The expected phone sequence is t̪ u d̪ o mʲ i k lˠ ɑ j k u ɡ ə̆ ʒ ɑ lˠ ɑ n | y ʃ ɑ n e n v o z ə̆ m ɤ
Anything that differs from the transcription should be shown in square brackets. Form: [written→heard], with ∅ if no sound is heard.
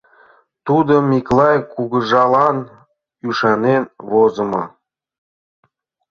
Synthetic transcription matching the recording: t̪ u d̪ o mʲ i k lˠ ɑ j k u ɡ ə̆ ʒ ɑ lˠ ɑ n | y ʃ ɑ n e n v o z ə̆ m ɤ